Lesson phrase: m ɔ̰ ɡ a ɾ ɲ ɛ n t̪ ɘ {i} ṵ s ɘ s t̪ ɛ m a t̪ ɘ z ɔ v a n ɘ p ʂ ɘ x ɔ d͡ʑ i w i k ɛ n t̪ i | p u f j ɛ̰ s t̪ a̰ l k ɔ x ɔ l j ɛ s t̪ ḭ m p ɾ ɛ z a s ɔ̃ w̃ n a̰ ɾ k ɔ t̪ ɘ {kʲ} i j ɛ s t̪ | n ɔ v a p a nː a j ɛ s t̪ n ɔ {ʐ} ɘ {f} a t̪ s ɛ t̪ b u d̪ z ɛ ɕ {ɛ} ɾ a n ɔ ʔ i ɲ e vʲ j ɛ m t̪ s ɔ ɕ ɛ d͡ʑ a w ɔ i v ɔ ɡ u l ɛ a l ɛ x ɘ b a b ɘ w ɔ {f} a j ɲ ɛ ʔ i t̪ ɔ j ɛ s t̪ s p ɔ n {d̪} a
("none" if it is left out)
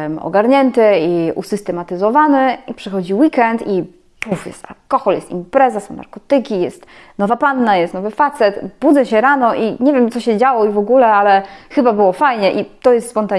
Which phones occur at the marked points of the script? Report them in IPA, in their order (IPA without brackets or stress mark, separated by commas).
i, kʲ, v, f, ɛ, f, t̪